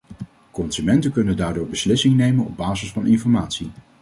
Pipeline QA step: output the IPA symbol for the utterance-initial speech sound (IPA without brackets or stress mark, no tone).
k